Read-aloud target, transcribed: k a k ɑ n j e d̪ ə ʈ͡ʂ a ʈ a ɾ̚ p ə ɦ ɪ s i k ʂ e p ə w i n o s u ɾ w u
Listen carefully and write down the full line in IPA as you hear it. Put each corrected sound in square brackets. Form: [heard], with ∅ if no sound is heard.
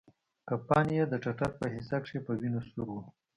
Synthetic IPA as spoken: k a [p] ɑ n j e d̪ ə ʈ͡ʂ a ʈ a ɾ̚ p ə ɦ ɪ s [a] k ʂ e p ə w i n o s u ɾ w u